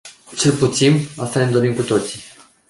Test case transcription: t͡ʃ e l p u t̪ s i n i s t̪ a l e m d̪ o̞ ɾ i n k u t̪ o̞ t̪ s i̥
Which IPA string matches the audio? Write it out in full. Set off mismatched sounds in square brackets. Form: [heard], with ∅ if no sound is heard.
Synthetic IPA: t͡ʃ e l p u t̪ s i n [a] s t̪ a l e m d̪ o̞ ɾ i [m] k u t̪ o̞ t̪ s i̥

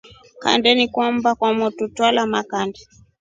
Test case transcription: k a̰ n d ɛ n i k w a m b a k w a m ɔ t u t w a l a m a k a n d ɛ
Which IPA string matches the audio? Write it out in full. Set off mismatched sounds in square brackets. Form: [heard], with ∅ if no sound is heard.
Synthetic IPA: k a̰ n d ɛ n i k w a m b a k w a m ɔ t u t w a l a m a k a n d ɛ

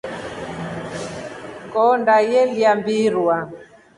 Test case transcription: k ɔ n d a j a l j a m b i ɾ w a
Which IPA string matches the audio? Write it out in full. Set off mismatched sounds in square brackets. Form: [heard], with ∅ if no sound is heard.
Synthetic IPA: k ɔ n d a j [ɛ] l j a m b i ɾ w a

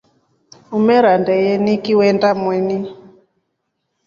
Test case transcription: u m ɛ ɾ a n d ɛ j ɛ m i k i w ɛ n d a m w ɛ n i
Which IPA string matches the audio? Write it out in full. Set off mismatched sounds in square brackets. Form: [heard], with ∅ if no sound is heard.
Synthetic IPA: u m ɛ ɾ a n d ɛ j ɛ [n] i k i w ɛ n d a m w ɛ n i

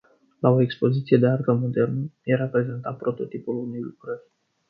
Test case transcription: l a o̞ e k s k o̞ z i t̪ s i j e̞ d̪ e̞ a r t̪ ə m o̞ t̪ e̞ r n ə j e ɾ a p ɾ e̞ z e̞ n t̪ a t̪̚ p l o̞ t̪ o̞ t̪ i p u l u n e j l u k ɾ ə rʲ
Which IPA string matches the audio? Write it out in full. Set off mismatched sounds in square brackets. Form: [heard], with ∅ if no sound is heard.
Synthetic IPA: l a o̞ e k s [p] o̞ z i t̪ s i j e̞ d̪ e̞ a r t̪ ə m o̞ [d̪] e̞ r n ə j e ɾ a p ɾ e̞ z e̞ n t̪ a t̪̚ p [ɾ] o̞ t̪ o̞ t̪ i p u l u n e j l u k ɾ ə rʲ

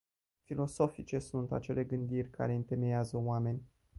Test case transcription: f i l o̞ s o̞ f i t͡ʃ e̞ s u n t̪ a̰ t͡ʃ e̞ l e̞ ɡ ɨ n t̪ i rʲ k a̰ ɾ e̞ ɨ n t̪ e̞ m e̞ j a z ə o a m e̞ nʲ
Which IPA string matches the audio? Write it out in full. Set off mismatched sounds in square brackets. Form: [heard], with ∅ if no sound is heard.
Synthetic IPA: f i l o̞ s o̞ f i t͡ʃ e̞ s u n t̪ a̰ t͡ʃ e̞ l e̞ ɡ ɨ n [d̪] i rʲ k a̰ ɾ e̞ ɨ n t̪ e̞ m e̞ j a z ə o a m e̞ nʲ

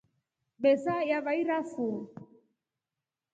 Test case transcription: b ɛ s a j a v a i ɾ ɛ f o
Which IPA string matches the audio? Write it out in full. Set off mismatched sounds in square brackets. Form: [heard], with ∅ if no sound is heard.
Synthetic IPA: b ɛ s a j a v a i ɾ [a] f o

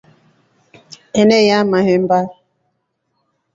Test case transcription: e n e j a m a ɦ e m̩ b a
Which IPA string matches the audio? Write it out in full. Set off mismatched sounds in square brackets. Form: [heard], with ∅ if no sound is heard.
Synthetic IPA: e n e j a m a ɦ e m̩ b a

